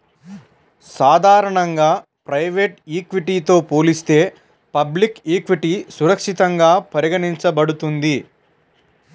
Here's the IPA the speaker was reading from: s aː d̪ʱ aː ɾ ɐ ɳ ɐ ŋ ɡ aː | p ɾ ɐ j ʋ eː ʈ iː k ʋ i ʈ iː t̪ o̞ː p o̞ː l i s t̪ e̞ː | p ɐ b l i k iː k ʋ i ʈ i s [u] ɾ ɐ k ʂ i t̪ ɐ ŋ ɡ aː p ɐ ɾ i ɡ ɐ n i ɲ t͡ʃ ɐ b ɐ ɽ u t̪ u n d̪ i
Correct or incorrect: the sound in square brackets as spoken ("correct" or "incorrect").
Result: correct